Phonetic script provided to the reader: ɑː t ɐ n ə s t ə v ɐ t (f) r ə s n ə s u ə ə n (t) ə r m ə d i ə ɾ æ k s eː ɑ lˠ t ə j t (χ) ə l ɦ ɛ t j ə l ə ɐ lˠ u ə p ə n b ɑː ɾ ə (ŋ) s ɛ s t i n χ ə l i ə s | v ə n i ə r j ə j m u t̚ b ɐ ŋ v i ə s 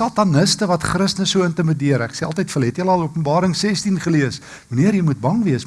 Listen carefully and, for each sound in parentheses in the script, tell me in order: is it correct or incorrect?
incorrect: χ, correct, incorrect: f, correct

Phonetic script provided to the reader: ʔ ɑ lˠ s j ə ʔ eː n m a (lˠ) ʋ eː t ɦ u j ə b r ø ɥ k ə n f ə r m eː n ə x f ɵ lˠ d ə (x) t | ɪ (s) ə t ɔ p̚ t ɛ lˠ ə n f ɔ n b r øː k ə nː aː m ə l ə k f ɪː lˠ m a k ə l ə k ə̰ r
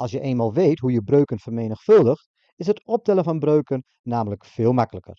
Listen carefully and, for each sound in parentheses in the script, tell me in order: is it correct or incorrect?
correct, correct, correct

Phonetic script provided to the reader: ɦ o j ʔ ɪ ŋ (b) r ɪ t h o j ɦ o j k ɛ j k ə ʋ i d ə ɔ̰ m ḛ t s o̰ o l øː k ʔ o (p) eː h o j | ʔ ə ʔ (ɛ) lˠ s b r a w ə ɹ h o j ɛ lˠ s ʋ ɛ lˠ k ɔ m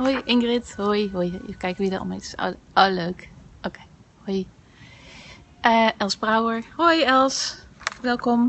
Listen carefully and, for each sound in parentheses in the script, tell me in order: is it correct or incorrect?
incorrect: ɡ, incorrect: k, correct

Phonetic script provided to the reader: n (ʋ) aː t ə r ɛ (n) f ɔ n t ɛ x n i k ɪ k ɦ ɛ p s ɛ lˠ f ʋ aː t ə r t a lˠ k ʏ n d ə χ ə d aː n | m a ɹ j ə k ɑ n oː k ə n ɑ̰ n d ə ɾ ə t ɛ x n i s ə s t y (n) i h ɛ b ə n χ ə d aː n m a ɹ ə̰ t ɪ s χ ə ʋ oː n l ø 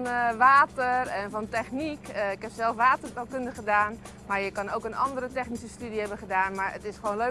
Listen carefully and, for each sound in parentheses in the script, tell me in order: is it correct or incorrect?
correct, correct, incorrect: d

